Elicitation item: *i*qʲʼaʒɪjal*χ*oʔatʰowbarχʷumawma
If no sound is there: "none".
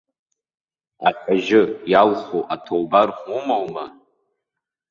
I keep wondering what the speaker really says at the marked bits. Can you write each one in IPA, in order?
a, χ

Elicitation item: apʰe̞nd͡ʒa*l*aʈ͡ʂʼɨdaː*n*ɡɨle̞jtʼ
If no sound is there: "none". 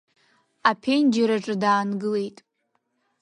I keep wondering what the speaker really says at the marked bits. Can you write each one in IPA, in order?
ɾ, n

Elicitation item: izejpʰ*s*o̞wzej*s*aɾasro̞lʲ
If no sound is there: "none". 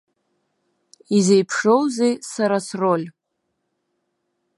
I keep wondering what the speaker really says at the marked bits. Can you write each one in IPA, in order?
ʂ, s

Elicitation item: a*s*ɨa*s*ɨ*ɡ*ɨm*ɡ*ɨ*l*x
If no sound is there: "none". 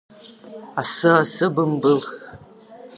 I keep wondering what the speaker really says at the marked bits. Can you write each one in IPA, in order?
s, s, b, b, l

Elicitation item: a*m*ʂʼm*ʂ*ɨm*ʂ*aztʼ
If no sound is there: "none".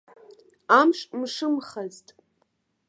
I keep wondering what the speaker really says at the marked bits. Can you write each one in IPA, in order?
m, ʂ, χ

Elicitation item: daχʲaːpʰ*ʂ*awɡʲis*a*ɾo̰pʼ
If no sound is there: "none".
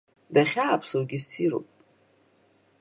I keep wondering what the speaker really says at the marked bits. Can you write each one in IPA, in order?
s, i

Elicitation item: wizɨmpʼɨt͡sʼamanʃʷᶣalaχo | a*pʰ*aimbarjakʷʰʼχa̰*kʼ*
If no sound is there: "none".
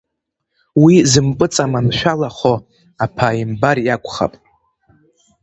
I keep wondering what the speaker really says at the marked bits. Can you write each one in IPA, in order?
pʰ, pʼ

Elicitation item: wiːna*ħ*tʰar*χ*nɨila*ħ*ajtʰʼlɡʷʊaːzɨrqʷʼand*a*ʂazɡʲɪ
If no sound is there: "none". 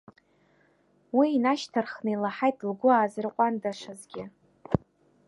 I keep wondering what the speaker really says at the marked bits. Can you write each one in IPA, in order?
ʃ, χ, ħ, a

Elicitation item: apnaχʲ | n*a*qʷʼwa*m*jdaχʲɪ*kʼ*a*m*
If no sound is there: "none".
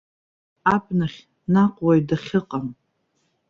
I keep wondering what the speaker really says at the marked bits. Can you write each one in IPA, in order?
a, none, qʼ, m

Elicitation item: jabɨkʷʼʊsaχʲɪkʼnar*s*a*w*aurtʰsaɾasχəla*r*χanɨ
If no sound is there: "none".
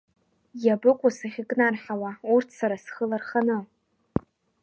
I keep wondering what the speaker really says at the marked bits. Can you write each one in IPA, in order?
ħ, w, r

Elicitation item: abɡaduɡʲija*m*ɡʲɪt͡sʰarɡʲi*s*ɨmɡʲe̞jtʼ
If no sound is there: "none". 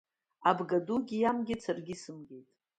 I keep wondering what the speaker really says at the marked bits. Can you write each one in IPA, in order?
m, s

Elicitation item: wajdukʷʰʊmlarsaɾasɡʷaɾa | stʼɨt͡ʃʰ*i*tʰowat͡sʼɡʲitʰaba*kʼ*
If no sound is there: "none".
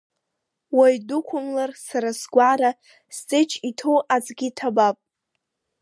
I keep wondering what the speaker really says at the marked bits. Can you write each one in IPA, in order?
i, pʼ

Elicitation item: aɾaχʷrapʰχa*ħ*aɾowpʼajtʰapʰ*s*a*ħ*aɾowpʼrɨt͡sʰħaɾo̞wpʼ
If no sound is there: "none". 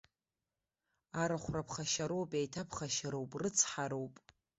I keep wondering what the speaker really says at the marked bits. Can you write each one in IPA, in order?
ʃ, χ, ʃ

